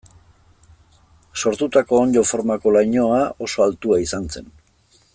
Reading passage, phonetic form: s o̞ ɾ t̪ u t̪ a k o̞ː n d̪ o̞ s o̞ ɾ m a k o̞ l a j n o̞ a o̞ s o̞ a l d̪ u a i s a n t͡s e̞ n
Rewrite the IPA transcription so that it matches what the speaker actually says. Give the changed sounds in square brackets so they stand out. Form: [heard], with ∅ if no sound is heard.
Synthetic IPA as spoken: s o̞ ɾ t̪ u t̪ a k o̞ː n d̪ o̞ [f] o̞ ɾ m a k o̞ l a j [ɲ] o̞ a o̞ s o̞ a l [t̪] u a i s a n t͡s e̞ n